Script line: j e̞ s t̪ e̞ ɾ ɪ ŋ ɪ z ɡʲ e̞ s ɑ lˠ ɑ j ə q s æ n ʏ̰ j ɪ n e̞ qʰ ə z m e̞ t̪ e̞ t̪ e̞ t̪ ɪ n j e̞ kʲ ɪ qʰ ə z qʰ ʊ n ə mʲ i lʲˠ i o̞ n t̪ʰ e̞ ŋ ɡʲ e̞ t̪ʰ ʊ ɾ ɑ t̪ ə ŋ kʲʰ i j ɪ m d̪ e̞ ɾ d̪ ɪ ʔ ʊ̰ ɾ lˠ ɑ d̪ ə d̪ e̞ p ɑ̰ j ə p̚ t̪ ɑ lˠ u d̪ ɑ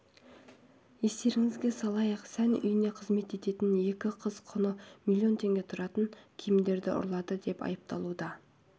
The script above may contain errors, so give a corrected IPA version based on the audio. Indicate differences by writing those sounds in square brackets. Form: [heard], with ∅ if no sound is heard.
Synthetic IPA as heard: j e̞ s t̪ e̞ ɾ ɪ ŋ ɪ z ɡʲ e̞ s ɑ lˠ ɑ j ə q s æ n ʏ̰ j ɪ n e̞ qʰ ə z m e̞ t̪ e̞ t̪ e̞ t̪ ɪ n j e̞ kʲ ɪ qʰ ə z qʰ ʊ n ə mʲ i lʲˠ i o̞ n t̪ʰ e̞ ŋ ɡʲ e̞ t̪ʰ ʊ ɾ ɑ t̪ ə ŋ kʲʰ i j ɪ m d̪ e̞ ɾ d̪ ɪ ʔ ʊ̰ ɾ lˠ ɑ d̪ ə d̪ e̞ p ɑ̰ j ə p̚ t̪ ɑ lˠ u d̪ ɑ